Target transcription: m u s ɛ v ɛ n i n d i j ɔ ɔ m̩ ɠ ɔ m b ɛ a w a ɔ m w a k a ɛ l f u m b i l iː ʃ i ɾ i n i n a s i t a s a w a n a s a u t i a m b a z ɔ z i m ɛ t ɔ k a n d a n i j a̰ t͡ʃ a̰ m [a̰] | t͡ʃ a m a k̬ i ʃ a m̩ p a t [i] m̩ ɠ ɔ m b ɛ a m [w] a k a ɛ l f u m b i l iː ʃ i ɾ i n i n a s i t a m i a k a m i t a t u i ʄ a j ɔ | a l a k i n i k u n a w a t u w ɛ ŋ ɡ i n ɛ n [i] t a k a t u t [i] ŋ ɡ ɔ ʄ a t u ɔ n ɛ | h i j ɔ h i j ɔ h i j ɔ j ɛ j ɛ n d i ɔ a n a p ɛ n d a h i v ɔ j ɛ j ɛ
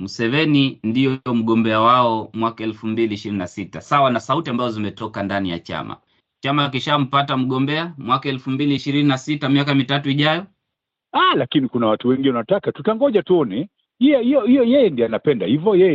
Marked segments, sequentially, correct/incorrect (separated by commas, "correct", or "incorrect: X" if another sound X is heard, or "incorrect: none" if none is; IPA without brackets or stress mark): correct, incorrect: a, correct, incorrect: a, incorrect: a